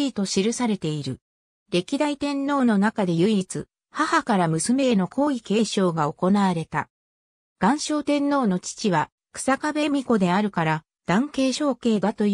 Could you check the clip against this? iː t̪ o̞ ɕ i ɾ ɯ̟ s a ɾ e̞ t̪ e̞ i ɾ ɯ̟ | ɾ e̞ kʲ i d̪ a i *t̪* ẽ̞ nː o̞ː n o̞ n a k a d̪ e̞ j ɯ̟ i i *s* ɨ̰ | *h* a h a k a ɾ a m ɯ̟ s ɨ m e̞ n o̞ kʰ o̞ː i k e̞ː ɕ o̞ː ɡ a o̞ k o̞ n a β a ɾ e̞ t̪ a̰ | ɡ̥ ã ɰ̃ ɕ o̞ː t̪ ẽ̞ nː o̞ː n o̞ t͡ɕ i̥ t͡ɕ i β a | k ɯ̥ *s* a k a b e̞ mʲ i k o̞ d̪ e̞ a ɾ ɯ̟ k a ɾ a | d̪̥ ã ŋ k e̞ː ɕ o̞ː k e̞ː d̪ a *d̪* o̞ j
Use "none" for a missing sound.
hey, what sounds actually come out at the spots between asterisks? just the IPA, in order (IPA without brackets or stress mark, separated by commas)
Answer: t̪, t͡s, h, s, t̪